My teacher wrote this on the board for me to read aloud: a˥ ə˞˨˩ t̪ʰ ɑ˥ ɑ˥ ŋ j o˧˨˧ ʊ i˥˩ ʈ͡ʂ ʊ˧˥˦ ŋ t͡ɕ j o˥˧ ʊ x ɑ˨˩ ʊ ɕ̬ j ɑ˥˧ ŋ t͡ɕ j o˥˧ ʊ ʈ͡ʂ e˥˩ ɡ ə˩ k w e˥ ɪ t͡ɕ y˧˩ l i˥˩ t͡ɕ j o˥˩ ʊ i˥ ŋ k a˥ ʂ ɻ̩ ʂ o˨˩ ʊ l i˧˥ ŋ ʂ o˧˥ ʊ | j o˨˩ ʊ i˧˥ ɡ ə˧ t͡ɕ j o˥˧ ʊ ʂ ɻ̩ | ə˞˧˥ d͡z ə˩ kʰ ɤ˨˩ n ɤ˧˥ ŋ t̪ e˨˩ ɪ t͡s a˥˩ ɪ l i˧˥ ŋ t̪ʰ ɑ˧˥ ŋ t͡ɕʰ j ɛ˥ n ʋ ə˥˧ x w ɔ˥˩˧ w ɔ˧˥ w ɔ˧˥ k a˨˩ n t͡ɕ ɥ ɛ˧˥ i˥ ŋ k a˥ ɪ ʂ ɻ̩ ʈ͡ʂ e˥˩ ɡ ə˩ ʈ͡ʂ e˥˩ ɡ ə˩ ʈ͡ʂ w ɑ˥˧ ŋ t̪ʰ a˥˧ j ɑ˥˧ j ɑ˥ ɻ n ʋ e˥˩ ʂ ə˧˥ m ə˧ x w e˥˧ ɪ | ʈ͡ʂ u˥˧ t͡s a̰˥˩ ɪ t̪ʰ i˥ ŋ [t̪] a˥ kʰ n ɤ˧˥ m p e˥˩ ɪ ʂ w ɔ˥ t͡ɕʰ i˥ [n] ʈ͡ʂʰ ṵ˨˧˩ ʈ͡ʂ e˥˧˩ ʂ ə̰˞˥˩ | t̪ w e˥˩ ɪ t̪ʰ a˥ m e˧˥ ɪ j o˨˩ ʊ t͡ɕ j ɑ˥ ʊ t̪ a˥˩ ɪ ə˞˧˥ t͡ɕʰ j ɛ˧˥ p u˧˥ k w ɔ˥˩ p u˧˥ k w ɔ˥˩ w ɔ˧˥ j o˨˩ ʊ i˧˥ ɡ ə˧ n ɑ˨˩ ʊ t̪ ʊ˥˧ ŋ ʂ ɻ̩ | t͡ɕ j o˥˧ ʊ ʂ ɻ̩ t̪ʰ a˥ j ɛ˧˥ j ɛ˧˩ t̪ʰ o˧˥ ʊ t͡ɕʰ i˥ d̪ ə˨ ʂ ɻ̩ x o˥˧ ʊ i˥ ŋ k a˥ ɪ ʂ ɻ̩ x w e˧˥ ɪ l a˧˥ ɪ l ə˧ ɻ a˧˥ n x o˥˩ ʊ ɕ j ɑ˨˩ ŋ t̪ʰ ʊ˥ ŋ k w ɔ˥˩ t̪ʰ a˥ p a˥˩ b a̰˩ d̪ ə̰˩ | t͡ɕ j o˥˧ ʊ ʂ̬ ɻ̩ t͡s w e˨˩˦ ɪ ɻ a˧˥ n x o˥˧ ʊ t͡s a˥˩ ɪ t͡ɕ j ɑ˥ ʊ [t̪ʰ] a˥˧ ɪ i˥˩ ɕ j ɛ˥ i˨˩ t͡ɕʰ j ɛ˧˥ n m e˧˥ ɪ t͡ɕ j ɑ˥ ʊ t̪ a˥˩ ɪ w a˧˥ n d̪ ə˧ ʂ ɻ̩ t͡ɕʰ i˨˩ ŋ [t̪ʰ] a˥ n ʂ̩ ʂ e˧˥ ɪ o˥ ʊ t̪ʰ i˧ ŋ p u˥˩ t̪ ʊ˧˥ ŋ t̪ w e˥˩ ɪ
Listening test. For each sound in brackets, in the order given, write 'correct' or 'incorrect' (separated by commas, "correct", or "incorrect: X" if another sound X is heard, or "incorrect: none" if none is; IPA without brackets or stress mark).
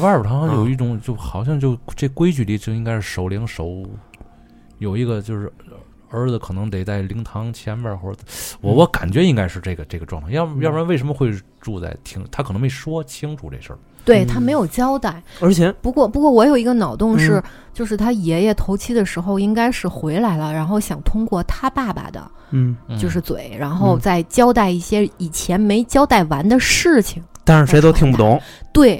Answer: incorrect: t̪ʰ, incorrect: ŋ, incorrect: t̪, incorrect: t̪